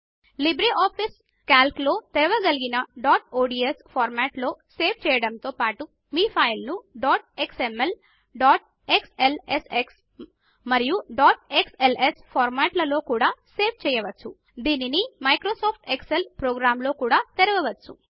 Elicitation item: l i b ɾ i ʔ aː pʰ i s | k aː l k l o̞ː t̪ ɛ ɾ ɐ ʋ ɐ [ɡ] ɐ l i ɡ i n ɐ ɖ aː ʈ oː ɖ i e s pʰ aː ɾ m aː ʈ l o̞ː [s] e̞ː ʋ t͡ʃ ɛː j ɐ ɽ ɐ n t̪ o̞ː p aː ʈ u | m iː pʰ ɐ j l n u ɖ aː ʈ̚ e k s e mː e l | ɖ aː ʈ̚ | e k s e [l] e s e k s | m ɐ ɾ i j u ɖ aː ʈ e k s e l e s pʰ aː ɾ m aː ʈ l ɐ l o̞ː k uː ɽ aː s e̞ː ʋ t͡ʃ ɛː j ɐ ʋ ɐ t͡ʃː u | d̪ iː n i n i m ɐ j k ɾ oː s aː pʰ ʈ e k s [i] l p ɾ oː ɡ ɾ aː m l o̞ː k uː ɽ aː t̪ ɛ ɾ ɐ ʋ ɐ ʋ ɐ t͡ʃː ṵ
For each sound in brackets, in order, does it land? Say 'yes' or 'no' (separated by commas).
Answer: yes, yes, yes, no